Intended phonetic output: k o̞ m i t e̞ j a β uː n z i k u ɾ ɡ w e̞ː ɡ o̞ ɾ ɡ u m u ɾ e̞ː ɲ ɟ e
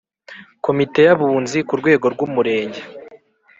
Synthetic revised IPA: k o̞ m i t e̞ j a β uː n z i k u ɾ ɡ w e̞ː ɡ o̞ ɾ ɡ u m u ɾ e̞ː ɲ ɟ e